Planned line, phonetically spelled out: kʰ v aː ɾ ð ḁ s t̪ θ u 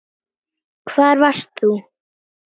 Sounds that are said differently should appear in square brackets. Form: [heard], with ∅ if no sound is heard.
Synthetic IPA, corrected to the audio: kʰ v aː ɾ [v] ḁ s t̪ θ u

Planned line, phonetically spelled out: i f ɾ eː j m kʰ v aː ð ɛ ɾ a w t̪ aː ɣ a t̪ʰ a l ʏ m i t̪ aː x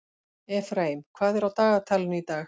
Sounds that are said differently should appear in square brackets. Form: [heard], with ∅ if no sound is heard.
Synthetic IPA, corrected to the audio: [ɛ] f ɾ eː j m kʰ v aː ð ɛ ɾ a w t̪ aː ɣ a t̪ʰ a l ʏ [n] i t̪ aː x

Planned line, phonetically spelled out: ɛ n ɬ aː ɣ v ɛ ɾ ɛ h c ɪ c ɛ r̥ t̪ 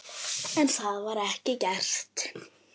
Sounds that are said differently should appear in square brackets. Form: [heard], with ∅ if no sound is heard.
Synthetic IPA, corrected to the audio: ɛ n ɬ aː [ð] v [a] ɾ ɛ h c ɪ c ɛ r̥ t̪

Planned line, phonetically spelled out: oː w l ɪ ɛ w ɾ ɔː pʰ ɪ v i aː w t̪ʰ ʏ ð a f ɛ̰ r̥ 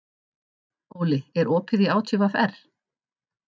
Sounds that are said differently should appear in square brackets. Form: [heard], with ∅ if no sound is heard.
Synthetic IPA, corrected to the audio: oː w l ɪ ɛ [∅] ɾ ɔː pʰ ɪ [ð] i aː w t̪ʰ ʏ [v] a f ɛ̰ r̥

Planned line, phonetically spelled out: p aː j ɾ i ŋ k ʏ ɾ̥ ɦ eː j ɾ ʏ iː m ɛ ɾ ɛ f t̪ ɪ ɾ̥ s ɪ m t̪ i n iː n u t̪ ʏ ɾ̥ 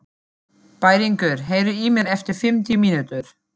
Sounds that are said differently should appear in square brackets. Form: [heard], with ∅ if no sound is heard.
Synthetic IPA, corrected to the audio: p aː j ɾ i ŋ k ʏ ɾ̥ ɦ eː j ɾ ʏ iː m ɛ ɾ ɛ f t̪ ɪ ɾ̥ [f] ɪ m t̪ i [m] iː n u t̪ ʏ ɾ̥

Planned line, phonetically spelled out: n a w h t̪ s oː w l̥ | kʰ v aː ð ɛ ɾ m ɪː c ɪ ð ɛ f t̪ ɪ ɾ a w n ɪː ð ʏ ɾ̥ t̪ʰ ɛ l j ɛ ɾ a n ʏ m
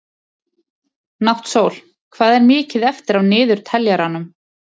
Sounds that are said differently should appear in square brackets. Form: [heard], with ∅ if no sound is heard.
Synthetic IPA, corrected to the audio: n a w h t̪ s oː w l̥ | kʰ v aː ð ɛ ɾ m ɪː c ɪ ð ɛ f t̪ ɪ ɾ a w n ɪː ð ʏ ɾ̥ t̪ʰ ɛ l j [a] ɾ a n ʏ m

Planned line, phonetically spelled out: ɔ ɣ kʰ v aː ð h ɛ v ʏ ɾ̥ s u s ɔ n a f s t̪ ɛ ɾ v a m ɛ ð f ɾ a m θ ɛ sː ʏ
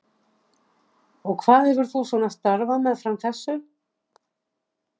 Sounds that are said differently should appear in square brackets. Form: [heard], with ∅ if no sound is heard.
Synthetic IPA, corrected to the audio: ɔ ɣ kʰ v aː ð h ɛ v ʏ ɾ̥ [θ] u s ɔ n a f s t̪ [a] ɾ v a m ɛ ð f ɾ a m θ ɛ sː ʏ

